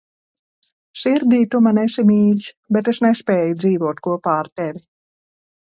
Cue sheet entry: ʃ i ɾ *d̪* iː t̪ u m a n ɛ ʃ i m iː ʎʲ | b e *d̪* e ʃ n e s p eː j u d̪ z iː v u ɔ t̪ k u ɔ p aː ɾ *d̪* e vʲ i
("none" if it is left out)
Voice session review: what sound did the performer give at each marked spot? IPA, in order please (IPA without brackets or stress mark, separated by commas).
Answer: d̪, t̪, t̪